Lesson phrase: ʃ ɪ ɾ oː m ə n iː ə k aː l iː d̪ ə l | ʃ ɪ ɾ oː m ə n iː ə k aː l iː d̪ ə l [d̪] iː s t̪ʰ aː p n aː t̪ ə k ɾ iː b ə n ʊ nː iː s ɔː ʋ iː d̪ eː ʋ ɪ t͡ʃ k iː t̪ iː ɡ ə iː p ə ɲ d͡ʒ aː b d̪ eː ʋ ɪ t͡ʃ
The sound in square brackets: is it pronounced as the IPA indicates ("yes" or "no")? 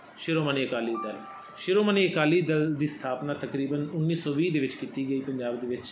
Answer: yes